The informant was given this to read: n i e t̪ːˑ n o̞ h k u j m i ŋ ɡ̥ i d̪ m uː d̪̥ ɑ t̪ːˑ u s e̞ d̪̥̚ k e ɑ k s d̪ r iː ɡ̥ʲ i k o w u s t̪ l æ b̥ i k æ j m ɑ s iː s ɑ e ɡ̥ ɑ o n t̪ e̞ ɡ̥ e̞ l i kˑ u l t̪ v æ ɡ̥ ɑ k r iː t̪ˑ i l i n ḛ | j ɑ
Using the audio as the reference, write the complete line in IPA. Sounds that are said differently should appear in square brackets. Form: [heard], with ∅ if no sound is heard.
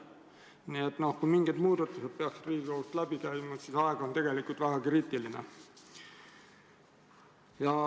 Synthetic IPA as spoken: n i e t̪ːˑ n o̞ h k u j m i ŋ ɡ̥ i d̪ m uː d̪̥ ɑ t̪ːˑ u s e̞ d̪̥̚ [p] e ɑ k s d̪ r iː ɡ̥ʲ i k o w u s t̪ l æ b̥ i k æ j m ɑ s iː s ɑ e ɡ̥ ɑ o n t̪ e̞ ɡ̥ e̞ l i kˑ u l t̪ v æ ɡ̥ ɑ k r iː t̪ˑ i l i n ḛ | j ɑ

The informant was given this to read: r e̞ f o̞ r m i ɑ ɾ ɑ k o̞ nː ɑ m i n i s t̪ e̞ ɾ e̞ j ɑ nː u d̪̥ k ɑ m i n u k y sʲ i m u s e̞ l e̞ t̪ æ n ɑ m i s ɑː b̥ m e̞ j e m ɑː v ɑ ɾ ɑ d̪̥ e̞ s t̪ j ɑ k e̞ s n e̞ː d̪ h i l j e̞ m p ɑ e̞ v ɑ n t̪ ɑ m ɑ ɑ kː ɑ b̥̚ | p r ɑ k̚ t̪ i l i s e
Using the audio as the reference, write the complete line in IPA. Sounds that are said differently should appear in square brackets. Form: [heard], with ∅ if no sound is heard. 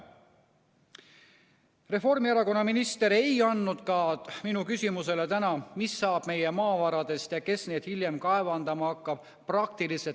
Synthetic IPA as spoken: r e̞ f o̞ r m i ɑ ɾ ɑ k o̞ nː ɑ m i n i s t̪ e̞ ɾ e̞ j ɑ nː u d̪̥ k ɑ m i n u k y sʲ i m u s e̞ l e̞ t̪ æ n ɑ m i [sː] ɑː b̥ m e̞ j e m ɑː v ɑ ɾ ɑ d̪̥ e̞ s t̪ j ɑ k e̞ s n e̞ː d̪ h i l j e̞ m [k] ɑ e̞ v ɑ n [d̪] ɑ m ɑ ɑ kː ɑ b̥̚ | p r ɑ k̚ t̪ i l i s e

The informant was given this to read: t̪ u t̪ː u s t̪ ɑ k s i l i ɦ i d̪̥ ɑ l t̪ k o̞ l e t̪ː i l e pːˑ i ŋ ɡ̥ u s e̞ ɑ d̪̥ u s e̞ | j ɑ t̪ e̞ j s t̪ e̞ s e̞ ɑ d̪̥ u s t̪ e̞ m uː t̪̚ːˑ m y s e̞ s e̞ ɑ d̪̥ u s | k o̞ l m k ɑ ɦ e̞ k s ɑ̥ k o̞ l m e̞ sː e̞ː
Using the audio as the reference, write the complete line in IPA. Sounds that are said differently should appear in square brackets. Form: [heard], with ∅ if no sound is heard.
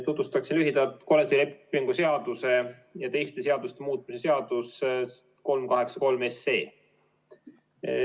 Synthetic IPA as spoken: t̪ u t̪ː u s t̪ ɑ k s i l [y] ɦ i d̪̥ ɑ l t̪ k o̞ l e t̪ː i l e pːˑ i ŋ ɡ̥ u s e̞ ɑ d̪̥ u s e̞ | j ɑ t̪ e̞ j s t̪ e̞ s e̞ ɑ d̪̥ u s t̪ e̞ m uː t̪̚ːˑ m [i] s e̞ s e̞ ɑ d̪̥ u s | k o̞ l m k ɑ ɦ e̞ k s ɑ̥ k o̞ l m e̞ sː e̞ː

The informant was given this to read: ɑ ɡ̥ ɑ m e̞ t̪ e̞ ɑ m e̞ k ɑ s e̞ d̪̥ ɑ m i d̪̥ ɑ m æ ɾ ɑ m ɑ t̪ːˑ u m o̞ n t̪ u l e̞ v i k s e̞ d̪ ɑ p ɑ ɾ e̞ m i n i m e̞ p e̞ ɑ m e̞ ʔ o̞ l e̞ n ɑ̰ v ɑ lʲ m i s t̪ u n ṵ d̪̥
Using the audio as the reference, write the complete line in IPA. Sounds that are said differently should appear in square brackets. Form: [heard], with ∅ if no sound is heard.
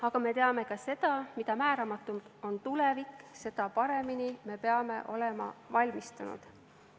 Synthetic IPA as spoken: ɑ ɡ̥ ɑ m e̞ t̪ e̞ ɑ m e̞ k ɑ s e̞ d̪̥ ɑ m i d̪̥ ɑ m [æː] ɾ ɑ m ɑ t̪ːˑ u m o̞ n t̪ u l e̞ v i k s e̞ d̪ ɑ p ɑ ɾ e̞ m i n i m e̞ p e̞ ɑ m e̞ ʔ o̞ l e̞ [m] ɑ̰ v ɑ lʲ m i s t̪ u n ṵ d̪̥

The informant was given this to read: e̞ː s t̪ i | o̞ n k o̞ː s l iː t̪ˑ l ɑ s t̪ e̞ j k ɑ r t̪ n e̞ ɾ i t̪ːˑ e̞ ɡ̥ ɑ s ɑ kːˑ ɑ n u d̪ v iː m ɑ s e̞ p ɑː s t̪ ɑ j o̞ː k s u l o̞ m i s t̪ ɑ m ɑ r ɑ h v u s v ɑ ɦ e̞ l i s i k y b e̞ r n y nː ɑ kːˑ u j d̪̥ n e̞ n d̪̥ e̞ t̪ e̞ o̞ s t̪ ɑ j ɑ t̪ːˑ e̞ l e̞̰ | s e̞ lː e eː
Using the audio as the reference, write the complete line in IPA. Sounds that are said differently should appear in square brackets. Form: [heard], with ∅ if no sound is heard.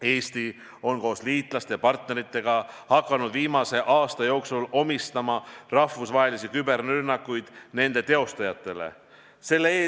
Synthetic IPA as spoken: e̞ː s t̪ i | o̞ n k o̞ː s l iː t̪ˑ l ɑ s t̪ e̞ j [p] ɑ r t̪ n e̞ ɾ i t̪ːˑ e̞ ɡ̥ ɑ [h] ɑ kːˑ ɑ n u d̪ v iː m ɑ s e̞ [ʔ] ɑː s t̪ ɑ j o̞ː k s u l o̞ m i s t̪ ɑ m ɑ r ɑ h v u s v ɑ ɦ e̞ l i s i k y b e̞ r n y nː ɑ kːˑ u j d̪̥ n e̞ n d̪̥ e̞ t̪ e̞ o̞ s t̪ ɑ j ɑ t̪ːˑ e̞ l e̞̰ | s e̞ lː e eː

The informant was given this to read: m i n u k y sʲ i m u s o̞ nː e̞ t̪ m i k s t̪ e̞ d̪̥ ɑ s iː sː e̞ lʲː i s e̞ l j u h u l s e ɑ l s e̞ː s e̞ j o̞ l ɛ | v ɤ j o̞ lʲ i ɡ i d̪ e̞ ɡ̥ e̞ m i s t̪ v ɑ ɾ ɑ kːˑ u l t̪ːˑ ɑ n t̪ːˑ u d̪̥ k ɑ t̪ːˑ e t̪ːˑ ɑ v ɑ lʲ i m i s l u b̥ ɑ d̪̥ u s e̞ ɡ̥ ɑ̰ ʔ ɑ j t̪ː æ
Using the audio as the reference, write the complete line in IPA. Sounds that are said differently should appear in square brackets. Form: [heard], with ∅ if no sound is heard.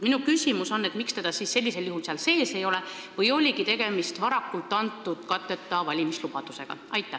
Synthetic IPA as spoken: m i n u k y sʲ i m u s o̞ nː e̞ t̪ m i k s t̪ e̞ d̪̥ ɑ s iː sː e̞ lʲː i s e̞ l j u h u l s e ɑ l s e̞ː s e̞ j o̞ l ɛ | v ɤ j o̞ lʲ i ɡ i [t̪] e̞ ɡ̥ e̞ m i s t̪ v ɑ ɾ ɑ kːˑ u l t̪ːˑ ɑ n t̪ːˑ u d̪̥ k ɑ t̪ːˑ e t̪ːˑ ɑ v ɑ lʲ i m i s l u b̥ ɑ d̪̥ u s e̞ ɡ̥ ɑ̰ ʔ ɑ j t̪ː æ

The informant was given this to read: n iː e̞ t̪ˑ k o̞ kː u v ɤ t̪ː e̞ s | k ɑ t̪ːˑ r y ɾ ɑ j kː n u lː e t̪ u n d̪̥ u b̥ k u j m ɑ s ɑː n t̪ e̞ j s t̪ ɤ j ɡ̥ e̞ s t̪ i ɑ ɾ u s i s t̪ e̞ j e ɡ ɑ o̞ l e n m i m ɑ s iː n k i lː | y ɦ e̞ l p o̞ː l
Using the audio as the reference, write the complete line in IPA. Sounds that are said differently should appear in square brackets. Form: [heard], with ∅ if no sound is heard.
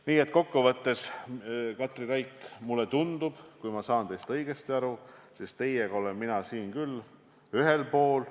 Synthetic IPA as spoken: n iː e̞ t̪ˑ k o̞ kː u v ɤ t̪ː e̞ s | k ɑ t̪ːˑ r [i] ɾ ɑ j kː [m] u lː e t̪ u n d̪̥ u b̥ k u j m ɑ s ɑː n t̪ e̞ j s t̪ ɤ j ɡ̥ e̞ s t̪ i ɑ ɾ u s i s t̪ e̞ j e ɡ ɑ o̞ l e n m i [n] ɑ s iː n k [y] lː | y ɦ e̞ l p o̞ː l

